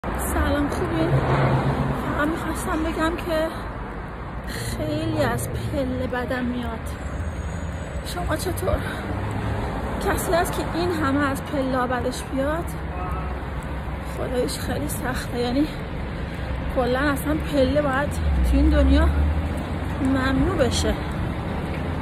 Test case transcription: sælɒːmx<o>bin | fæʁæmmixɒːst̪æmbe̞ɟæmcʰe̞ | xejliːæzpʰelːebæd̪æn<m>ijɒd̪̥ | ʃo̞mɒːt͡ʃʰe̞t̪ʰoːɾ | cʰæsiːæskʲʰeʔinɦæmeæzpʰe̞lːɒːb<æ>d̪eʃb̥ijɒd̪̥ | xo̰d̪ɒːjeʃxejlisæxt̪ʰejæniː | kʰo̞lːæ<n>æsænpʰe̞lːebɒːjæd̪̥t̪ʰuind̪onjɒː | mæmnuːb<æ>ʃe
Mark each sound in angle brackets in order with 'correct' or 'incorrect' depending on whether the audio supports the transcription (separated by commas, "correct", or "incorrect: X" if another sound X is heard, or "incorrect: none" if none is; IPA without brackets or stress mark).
incorrect: u, correct, correct, correct, incorrect: e